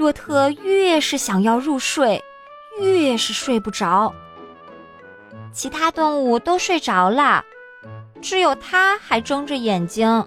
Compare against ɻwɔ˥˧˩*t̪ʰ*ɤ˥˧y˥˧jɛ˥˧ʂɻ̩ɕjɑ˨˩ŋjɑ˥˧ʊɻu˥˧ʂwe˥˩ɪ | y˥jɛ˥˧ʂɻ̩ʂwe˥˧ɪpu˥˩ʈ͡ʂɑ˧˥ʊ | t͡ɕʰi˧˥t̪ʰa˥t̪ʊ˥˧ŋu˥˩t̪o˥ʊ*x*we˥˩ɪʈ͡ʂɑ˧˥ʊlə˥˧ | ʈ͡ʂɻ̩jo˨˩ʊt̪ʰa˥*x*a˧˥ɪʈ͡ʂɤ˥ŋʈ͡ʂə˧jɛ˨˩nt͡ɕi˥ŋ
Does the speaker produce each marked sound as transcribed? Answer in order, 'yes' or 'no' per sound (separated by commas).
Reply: yes, no, yes